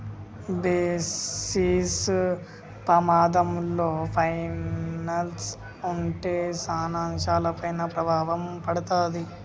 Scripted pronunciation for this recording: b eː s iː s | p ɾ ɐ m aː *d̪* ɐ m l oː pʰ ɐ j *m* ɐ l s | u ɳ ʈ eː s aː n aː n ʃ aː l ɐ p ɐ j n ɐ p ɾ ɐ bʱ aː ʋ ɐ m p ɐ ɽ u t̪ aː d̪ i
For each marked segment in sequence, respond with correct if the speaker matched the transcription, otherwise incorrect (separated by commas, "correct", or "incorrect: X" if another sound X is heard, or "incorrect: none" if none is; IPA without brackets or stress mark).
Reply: correct, incorrect: n